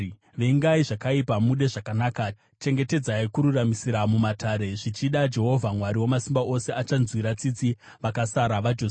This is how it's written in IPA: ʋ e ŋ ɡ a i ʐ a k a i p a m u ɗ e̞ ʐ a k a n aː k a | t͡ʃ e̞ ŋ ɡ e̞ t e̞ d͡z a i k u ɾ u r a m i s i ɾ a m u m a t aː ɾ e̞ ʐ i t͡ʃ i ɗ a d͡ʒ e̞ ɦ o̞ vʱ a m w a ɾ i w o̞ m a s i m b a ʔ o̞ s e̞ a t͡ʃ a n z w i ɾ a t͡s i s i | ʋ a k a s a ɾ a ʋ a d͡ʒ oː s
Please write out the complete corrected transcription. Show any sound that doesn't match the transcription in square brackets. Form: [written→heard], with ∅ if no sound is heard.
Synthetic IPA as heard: ʋ e ŋ ɡ a i ʐ a k a i p a m u ɗ e̞ ʐ a k a n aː k a | t͡ʃ e̞ ŋ ɡ e̞ t e̞ d͡z a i k u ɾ u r a m i s i ɾ a m u m a t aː ɾ e̞ ʐ i t͡ʃ i ɗ a d͡ʒ e̞ ɦ o̞ vʱ a m w a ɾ i w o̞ m a s i m b a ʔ o̞ s e̞ a t͡ʃ a n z w i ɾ a t͡s i [s→t͡s] i | ʋ a k a s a ɾ a ʋ a d͡ʒ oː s

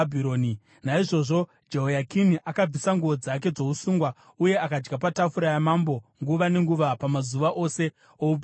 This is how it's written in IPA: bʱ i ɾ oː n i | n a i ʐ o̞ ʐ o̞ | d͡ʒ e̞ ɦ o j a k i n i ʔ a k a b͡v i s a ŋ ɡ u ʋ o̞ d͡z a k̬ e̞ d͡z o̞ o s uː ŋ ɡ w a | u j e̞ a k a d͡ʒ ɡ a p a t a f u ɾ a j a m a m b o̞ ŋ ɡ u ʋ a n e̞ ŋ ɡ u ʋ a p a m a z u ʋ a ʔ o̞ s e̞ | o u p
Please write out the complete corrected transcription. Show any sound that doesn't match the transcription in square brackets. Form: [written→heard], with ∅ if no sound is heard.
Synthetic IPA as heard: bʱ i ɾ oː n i | n a i ʐ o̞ ʐ o̞ | d͡ʒ e̞ ɦ o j a k i n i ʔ a k a b͡v i s a ŋ ɡ u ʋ o̞ d͡z a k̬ e̞ d͡z o̞ [o→u] s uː ŋ ɡ w a | u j e̞ a k a d͡ʒ ɡ a p a t a f u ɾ a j a m a m b o̞ ŋ ɡ u ʋ a n e̞ ŋ ɡ u ʋ a p a m a z u ʋ a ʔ o̞ s e̞ | o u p

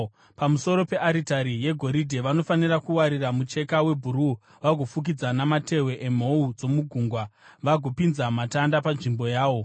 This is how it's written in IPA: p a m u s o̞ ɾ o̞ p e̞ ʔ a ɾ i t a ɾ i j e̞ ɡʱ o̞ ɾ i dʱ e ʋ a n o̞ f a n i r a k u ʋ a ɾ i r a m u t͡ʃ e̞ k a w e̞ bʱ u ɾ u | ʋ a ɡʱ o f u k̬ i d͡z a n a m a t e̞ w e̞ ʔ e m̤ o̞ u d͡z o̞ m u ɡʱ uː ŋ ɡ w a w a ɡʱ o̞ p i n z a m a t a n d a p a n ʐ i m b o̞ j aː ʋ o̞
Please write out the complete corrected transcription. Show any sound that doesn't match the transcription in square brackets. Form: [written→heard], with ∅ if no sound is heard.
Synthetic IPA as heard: p a m u s o̞ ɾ o̞ p e̞ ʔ a ɾ i t a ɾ i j e̞ ɡʱ o̞ ɾ i dʱ e ʋ a n o̞ f a n i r a k u [ʋ→w] a ɾ i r a m u t͡ʃ e̞ k a w e̞ bʱ u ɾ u | ʋ a ɡʱ o f u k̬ i d͡z a n a m a t e̞ w e̞ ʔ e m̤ o̞ u d͡z o̞ m u ɡʱ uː ŋ ɡ w a [w→ʋ] a ɡʱ o̞ p i n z a m a t a n d a p a n ʐ i m b o̞ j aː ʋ o̞

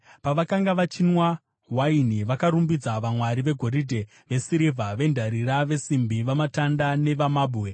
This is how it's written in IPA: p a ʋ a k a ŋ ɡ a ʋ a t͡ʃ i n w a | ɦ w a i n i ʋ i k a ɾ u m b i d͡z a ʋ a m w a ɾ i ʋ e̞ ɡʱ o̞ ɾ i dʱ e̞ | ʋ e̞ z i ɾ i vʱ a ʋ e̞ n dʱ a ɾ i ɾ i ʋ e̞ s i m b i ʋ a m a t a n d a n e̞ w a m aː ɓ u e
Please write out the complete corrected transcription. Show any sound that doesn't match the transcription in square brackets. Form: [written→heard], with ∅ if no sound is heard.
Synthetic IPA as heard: p a ʋ a k a ŋ ɡ a ʋ a t͡ʃ i n w a | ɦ w a i n i ʋ [i→a] k a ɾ u m b i d͡z a ʋ a m w a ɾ i ʋ e̞ ɡʱ o̞ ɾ i dʱ e̞ | ʋ e̞ [z→s] i ɾ i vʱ a ʋ e̞ n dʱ a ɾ i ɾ [i→a] ʋ e̞ s i m b i ʋ a m a t a n d a n e̞ [w→ʋ] a m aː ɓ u e

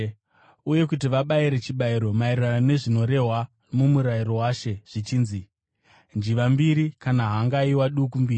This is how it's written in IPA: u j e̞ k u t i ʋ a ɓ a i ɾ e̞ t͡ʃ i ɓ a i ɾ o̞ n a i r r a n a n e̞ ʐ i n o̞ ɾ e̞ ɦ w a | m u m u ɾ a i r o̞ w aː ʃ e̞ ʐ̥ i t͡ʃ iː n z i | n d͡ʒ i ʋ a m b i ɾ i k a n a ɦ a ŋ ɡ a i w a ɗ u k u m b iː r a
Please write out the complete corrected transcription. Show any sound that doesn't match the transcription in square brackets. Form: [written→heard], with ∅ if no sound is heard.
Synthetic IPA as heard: u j e̞ k u t i ʋ a ɓ a i ɾ e̞ t͡ʃ i ɓ a i ɾ o̞ [n→m] a i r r a n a n e̞ ʐ i n o̞ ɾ e̞ ɦ w a | m u m u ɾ a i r o̞ w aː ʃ e̞ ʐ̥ i t͡ʃ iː n z i | n d͡ʒ i ʋ a m b i ɾ i k a n a ɦ a ŋ ɡ a i w a ɗ u k u m b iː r [a→i]

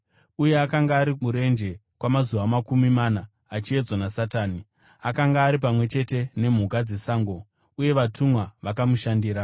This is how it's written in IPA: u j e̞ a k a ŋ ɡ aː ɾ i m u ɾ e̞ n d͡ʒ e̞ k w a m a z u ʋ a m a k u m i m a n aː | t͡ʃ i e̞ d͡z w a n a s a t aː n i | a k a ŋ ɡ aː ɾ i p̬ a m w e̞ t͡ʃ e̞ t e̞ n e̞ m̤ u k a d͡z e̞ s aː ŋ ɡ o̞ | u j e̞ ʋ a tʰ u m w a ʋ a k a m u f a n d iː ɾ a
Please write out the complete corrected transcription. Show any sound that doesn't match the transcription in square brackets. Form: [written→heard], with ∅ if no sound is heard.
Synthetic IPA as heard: u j e̞ a k a ŋ ɡ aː ɾ i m u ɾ e̞ n d͡ʒ e̞ k w a m a z u ʋ a m a k u m i m a n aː | t͡ʃ i e̞ d͡z w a n a s a t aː n i | a k a ŋ ɡ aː ɾ i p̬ a m w e̞ t͡ʃ e̞ t e̞ n e̞ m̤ u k a d͡z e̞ s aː ŋ ɡ o̞ | u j e̞ ʋ a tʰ u m w a ʋ a k a m u [f→ʃ] a n d iː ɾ a

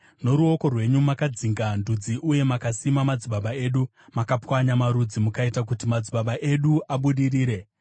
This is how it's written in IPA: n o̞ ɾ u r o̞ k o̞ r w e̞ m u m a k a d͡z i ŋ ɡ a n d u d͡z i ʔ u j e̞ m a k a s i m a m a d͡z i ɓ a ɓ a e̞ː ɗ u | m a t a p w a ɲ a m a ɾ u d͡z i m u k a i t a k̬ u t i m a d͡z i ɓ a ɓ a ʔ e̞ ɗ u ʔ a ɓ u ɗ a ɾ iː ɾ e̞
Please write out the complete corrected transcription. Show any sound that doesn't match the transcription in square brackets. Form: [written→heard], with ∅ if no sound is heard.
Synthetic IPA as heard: n o̞ ɾ u [r→∅] o̞ k o̞ r w e̞ [m→ɲ] u m a k a d͡z i ŋ ɡ a n d u d͡z i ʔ u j e̞ m a k a s i m a m a d͡z i ɓ a ɓ a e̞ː ɗ u | m a [t→k] a p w a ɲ a m a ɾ u d͡z i m u k a i t a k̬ u t i m a d͡z i ɓ a ɓ a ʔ e̞ ɗ u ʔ a ɓ u ɗ [a→i] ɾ iː ɾ e̞

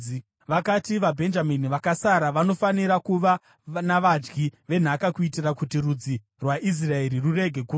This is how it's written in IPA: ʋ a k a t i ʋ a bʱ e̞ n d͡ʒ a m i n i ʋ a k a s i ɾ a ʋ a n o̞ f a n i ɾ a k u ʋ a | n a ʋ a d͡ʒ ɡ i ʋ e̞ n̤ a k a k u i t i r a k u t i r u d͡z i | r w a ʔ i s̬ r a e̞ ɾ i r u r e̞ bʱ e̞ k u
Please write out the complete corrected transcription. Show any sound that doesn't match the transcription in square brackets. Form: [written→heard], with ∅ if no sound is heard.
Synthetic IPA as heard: ʋ a k a t i ʋ a bʱ e̞ n d͡ʒ a m i n i ʋ a k a s [i→a] ɾ a ʋ a n o̞ f a n i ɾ a k u ʋ a | n a ʋ a d͡ʒ ɡ i ʋ e̞ n̤ a k a k u i t i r a k u t i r u d͡z i | r w a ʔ i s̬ r a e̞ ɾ i r u r e̞ [bʱ→ɡʱ] e̞ k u

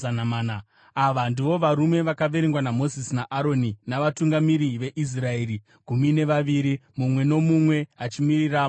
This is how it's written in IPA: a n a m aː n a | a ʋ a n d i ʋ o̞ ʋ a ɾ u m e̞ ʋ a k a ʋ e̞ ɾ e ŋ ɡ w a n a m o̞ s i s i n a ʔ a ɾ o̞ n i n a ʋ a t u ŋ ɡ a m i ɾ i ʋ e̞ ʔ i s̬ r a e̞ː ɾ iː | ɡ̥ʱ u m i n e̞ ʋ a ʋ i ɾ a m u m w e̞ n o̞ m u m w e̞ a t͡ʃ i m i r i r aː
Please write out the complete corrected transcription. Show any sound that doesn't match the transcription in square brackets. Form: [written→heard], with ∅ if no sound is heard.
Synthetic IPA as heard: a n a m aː n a | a ʋ a n d i ʋ o̞ ʋ a ɾ u m e̞ ʋ a k a ʋ e̞ ɾ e ŋ ɡ w a n a m o̞ [s→z] i s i n a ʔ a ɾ o̞ n i n a ʋ a t u ŋ ɡ a m i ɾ i ʋ e̞ ʔ i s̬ r a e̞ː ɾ [iː→i] | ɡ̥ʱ u m i n e̞ ʋ a ʋ i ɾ [a→i] m u m w e̞ n o̞ m u m w e̞ a t͡ʃ i m i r i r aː

